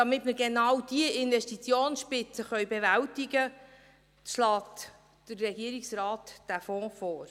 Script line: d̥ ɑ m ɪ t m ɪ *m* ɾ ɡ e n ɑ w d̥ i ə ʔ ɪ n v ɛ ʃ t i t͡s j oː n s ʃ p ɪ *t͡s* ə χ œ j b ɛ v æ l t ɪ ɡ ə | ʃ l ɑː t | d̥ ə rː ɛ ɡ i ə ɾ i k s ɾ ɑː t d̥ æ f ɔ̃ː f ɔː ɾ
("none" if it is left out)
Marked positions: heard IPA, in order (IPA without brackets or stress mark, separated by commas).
none, t͡s